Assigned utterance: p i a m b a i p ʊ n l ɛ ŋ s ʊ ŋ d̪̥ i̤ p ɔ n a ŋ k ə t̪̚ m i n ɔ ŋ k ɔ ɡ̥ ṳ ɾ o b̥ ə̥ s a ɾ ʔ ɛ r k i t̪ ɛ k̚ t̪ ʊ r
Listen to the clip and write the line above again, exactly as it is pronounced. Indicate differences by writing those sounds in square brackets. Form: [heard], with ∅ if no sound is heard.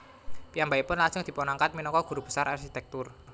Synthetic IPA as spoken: p i a m b a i p ʊ n l [a] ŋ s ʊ ŋ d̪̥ i̤ p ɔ n a ŋ k [a] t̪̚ m i n ɔ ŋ k ɔ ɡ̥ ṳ ɾ [u] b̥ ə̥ s a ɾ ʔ [a] r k i t̪ ɛ k̚ t̪ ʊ r